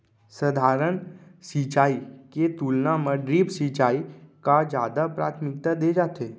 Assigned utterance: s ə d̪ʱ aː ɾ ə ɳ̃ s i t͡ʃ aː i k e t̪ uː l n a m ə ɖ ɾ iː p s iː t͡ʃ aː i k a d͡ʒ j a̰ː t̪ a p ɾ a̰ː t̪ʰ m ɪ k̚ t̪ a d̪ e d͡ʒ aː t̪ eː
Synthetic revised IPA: s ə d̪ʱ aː ɾ ə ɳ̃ s i t͡ʃ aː i k e t̪ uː l n a m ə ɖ ɾ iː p s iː t͡ʃ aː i k a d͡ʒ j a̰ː d̪ a p ɾ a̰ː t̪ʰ m ɪ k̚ t̪ a d̪ e d͡ʒ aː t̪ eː